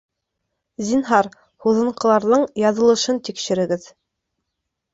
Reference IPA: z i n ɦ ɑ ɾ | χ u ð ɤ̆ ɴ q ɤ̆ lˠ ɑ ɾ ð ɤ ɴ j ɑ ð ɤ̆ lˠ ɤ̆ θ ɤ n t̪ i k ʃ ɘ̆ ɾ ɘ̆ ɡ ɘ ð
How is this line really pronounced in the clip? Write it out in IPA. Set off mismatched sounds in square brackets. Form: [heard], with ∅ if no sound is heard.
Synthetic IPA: z i n ɦ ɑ ɾ | [h] u ð ɤ̆ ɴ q ɤ̆ lˠ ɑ ɾ ð ɤ ɴ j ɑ ð ɤ̆ lˠ ɤ̆ [ʃ] ɤ n t̪ i k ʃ ɘ̆ ɾ ɘ̆ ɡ ɘ ð